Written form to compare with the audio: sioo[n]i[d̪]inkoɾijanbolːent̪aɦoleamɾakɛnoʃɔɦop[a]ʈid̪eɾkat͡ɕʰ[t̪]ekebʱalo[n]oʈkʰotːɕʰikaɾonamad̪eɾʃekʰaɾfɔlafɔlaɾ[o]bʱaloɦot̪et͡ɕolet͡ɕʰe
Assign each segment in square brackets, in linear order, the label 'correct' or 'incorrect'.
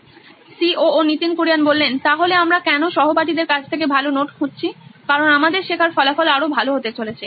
correct, incorrect: t̪, correct, incorrect: t̪ʰ, correct, correct

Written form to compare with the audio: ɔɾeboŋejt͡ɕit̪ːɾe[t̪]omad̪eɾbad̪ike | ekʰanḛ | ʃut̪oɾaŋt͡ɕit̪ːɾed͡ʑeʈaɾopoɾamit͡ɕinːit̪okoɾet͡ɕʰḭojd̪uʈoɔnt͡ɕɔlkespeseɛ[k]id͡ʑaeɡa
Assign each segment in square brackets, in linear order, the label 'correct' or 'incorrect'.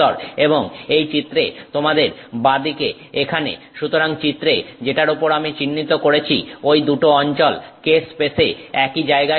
correct, correct

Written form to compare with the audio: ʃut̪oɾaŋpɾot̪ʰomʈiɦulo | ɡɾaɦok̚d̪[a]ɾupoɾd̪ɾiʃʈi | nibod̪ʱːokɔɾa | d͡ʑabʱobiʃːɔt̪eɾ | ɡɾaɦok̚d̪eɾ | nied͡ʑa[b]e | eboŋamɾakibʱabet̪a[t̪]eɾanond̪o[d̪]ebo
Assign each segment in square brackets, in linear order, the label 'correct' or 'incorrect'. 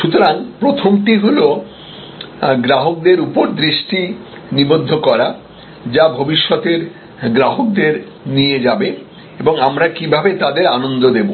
incorrect: e, correct, incorrect: d̪, correct

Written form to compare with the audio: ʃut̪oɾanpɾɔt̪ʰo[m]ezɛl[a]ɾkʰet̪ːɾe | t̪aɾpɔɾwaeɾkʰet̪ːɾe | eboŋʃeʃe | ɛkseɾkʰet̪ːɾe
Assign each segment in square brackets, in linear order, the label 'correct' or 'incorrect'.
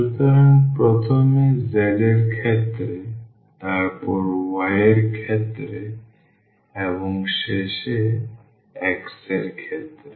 correct, incorrect: e

